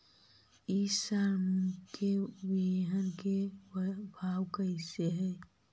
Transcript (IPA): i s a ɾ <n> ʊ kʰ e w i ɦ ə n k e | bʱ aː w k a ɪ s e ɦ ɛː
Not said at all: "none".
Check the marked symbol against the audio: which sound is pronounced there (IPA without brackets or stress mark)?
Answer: m